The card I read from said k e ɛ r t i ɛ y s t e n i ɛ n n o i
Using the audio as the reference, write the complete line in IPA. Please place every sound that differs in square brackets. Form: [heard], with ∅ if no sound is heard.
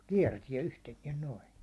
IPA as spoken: k [i] ɛ r t i ɛ y [h] t e n i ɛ n n o i